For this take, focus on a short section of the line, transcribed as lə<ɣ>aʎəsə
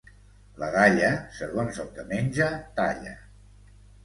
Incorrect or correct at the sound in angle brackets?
correct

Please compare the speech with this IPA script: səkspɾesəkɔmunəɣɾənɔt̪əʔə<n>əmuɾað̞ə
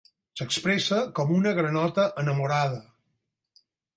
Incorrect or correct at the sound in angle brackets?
correct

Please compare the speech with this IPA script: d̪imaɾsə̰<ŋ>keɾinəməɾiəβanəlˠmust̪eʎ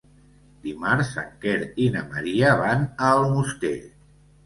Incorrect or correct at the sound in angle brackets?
correct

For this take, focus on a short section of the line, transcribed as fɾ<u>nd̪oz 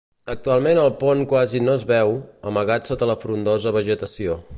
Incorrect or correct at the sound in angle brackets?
correct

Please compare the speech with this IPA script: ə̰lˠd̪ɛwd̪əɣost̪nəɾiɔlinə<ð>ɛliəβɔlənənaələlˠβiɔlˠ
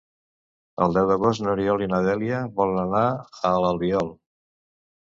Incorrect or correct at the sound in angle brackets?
correct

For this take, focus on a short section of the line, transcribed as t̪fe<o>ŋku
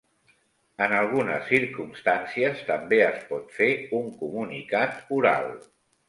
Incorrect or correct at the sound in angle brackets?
incorrect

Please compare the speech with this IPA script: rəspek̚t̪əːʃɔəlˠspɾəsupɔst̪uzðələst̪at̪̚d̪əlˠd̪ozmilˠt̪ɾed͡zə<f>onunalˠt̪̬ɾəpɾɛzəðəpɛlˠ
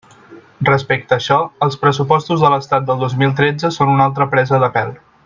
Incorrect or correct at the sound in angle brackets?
incorrect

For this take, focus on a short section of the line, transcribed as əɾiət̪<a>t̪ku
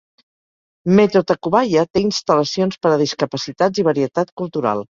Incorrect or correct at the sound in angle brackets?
correct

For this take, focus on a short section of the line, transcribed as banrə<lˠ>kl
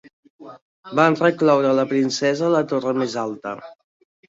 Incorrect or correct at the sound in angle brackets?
incorrect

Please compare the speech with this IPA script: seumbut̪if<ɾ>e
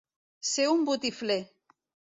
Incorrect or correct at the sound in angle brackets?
incorrect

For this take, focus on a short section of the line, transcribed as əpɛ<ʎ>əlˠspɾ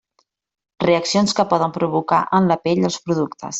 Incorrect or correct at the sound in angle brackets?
correct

